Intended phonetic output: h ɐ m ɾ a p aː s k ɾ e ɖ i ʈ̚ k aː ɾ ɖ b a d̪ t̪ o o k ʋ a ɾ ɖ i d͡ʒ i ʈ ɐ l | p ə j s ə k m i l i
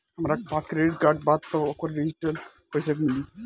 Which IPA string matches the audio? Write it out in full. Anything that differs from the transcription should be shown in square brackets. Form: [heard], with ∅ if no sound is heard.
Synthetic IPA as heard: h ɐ m ɾ a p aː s k ɾ e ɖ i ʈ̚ k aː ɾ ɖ b a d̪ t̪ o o k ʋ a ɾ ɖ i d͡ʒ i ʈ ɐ l | p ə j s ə k m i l i